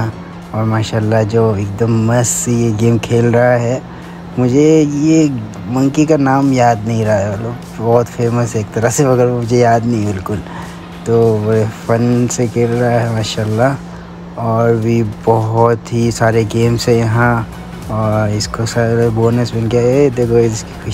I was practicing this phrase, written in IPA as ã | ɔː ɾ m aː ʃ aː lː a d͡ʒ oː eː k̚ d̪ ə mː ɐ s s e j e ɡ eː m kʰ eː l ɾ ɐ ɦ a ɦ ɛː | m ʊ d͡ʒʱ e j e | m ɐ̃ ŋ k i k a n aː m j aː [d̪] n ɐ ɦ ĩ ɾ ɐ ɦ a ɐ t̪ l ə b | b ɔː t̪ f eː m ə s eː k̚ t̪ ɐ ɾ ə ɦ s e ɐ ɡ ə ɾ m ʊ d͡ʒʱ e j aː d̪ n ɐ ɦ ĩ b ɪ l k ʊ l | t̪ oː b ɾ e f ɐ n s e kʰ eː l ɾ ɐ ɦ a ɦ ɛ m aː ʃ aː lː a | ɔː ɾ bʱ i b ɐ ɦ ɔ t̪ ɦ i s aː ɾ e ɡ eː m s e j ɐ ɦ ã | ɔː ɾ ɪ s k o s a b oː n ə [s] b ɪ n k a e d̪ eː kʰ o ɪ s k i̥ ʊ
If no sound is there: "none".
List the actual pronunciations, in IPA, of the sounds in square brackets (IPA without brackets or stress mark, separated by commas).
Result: d̪, s